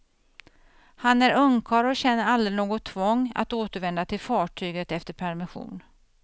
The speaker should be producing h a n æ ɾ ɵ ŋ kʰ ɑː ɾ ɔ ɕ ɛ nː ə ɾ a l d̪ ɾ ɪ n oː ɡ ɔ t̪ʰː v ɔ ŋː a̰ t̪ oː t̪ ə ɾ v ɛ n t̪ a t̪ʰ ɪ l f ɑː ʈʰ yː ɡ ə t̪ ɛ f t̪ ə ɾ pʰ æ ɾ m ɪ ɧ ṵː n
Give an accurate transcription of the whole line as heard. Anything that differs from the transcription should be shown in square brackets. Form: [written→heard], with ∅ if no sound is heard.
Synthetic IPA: h a n æ ɾ ɵ ŋ kʰ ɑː ɾ ɔ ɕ ɛ nː ə ɾ a l d̪ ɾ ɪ n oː ɡ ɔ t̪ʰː v ɔ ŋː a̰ t̪ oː t̪ ə ɾ v ɛ n [t̪→d̪] a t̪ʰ ɪ l f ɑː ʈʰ yː ɡ ə t̪ ɛ f t̪ ə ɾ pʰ æ ɾ m ɪ ɧ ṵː n